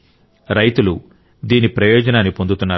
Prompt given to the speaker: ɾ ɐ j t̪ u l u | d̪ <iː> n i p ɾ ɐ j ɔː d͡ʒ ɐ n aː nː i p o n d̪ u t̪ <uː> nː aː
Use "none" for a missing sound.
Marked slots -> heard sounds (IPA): iː, u

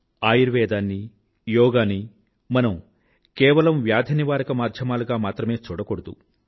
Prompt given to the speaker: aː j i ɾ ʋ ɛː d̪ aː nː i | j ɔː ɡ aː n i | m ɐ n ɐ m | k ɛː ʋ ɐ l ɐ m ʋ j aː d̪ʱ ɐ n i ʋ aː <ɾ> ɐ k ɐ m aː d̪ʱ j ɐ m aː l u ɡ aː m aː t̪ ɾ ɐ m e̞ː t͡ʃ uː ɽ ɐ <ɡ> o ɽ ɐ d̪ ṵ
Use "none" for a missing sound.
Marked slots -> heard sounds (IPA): ɾ, k

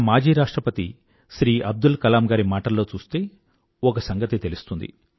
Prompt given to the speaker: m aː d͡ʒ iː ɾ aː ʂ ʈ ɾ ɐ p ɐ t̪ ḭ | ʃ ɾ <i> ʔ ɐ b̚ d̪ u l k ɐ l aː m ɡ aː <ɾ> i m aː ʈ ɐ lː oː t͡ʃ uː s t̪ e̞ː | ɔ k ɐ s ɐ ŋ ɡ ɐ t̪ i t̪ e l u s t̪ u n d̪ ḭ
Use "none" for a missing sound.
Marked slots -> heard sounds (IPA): iː, ɾ

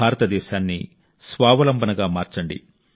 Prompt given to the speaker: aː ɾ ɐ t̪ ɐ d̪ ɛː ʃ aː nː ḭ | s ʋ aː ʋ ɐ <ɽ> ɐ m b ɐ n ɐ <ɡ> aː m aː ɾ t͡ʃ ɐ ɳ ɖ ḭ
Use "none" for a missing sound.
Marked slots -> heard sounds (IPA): l, ɡ

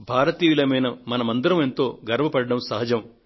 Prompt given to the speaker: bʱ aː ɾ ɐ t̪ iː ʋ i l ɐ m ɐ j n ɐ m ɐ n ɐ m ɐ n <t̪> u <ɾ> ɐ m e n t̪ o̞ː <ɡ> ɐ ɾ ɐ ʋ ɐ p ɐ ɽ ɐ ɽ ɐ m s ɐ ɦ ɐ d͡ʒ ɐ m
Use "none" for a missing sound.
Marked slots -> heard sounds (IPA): d̪, ɾ, ɡ

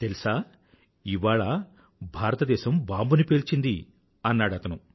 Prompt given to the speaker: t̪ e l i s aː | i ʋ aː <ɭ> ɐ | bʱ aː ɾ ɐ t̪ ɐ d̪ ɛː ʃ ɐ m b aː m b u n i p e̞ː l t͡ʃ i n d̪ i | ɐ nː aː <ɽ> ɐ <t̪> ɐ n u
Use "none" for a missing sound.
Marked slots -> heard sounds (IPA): ɭ, ɽ, t̪

